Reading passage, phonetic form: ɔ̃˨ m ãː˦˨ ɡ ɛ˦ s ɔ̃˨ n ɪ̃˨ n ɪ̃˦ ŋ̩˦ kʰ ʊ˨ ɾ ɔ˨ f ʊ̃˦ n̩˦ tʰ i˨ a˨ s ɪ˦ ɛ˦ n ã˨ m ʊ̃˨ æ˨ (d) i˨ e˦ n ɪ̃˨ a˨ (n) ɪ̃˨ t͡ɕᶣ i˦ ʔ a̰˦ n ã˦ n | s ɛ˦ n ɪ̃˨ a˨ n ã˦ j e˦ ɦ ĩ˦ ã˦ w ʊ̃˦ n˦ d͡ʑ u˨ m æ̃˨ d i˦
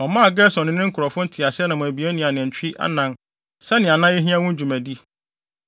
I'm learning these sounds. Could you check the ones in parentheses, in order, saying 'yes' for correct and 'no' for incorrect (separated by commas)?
no, yes